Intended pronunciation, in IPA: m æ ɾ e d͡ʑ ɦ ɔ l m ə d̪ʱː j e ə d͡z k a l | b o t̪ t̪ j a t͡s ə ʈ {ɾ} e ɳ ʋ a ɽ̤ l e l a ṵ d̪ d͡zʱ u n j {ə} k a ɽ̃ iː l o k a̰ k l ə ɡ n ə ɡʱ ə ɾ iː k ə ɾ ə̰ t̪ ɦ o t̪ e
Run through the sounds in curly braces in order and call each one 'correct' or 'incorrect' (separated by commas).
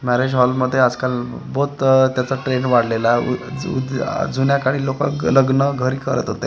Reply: correct, incorrect